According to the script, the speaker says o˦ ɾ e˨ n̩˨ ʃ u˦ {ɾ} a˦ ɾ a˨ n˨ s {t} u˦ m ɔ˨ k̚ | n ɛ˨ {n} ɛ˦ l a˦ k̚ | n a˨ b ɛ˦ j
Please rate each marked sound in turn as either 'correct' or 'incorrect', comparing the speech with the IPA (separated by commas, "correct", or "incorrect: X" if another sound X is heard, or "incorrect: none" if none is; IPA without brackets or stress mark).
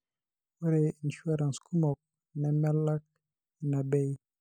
incorrect: none, incorrect: k, incorrect: m